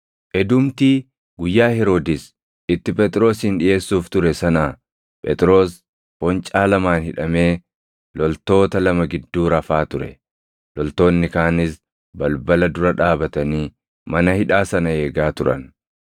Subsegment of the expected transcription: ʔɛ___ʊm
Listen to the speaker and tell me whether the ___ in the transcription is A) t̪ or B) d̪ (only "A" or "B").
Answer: B